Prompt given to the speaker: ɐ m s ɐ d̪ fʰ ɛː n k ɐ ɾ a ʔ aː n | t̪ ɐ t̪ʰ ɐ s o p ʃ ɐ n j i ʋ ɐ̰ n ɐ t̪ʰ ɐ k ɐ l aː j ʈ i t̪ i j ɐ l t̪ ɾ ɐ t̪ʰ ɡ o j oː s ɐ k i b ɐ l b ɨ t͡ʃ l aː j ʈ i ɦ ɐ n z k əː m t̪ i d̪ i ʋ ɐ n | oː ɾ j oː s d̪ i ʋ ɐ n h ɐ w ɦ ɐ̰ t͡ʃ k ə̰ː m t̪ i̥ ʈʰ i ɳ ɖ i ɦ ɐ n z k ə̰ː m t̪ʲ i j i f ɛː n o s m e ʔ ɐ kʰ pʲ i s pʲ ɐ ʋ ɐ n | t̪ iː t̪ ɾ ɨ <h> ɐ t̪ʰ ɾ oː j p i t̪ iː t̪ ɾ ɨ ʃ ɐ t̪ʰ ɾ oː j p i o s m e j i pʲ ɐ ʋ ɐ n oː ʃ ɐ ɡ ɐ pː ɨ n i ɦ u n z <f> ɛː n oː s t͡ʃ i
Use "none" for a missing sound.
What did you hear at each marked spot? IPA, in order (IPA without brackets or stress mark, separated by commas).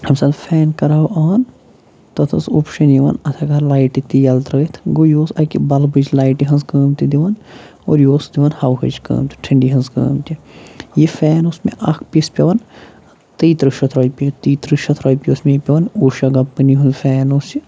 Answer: ʃ, f